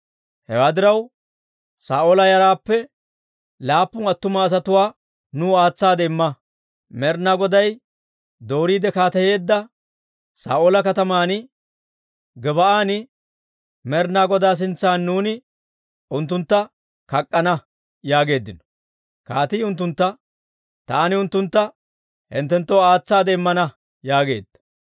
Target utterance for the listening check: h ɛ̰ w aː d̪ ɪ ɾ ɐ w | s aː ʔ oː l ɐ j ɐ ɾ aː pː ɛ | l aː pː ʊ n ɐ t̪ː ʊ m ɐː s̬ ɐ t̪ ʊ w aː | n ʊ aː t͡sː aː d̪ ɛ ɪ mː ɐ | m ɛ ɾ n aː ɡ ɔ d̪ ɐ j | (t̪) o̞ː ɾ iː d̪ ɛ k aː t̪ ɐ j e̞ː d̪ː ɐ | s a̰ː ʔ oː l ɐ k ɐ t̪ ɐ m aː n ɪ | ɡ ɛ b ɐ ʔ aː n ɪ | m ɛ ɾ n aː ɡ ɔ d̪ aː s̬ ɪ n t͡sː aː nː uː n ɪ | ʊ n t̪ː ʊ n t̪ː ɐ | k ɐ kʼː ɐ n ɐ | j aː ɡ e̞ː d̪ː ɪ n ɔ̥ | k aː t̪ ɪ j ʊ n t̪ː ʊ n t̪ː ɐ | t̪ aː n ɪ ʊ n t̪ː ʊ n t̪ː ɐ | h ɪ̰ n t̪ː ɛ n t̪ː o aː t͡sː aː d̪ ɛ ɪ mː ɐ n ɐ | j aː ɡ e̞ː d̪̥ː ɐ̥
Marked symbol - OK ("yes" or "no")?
no